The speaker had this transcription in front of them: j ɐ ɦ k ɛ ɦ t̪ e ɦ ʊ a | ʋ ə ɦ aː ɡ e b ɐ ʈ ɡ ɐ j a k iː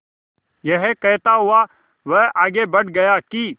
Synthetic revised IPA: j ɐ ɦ k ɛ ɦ t̪ a ɦ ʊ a | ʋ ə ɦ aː ɡ e b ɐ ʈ ɡ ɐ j a k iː